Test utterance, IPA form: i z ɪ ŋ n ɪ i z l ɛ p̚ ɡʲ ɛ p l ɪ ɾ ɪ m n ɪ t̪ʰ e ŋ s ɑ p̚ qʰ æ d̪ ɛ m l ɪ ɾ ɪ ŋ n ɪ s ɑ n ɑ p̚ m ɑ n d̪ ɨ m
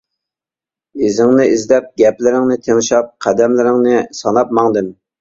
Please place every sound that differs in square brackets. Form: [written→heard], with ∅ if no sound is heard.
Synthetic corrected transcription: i z ɪ ŋ n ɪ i z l ɛ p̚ ɡʲ ɛ p l ɪ ɾ ɪ [m→ŋ] n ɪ t̪ʰ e ŋ [s→ʃ] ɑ p̚ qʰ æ d̪ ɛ m l ɪ ɾ ɪ ŋ n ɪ s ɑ n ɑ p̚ m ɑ [n→ŋ] d̪ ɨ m